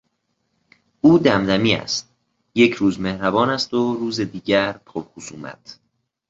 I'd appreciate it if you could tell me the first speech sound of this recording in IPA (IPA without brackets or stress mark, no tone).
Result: uː